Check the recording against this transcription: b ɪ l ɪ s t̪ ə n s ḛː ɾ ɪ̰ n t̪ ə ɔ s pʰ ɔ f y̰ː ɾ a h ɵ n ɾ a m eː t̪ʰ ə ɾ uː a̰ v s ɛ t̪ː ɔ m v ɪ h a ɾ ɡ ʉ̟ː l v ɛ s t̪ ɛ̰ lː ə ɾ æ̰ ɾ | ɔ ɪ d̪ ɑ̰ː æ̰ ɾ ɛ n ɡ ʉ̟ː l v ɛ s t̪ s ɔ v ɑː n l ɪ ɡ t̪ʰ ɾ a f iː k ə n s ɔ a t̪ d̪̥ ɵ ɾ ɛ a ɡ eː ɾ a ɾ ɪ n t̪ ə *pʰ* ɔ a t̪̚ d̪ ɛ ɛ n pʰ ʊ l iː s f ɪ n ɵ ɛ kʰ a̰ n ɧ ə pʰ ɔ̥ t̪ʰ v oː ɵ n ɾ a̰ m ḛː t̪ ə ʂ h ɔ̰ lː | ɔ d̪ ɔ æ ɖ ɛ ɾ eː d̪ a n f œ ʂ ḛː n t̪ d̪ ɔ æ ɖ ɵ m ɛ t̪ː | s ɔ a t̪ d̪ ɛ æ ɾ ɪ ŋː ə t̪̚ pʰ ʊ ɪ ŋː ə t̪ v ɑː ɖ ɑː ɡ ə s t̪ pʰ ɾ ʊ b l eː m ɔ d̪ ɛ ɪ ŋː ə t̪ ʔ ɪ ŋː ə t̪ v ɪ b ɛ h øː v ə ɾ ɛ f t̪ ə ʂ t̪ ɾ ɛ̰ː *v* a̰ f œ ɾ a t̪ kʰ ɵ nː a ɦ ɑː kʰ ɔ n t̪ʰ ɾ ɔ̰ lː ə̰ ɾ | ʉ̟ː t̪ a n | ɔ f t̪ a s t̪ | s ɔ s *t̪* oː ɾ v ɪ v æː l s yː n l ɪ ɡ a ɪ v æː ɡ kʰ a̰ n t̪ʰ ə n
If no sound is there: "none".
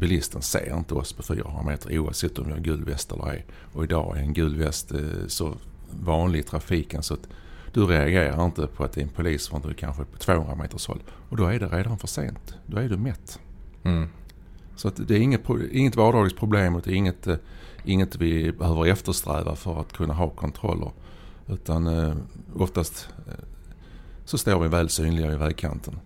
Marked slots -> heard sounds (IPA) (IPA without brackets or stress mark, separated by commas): pʰ, v, t̪